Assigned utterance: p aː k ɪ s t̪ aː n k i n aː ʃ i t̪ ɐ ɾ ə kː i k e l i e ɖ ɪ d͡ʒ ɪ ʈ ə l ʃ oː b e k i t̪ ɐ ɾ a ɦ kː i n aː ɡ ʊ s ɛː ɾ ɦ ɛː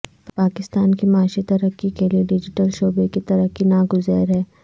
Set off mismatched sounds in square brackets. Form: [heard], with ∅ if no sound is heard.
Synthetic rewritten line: p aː k ɪ s t̪ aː n k i [m] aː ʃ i t̪ ɐ ɾ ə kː i k e l i e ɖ ɪ d͡ʒ ɪ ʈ ə l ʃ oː b e k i t̪ ɐ ɾ [ə] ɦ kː i n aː ɡ ʊ [z] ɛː ɾ ɦ ɛː